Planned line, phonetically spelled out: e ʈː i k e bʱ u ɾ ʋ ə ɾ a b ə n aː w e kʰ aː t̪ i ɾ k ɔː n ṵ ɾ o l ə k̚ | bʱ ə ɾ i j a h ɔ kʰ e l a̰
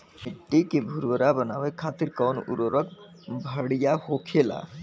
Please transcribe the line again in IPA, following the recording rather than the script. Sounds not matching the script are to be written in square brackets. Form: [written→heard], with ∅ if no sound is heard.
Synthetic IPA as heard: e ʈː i k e bʱ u ɾ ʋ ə ɾ a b ə n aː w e kʰ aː t̪ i ɾ k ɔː n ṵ ɾ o [l→ɾ] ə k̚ | bʱ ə [ɾ→ɽ] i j a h [ɔ→o] kʰ e l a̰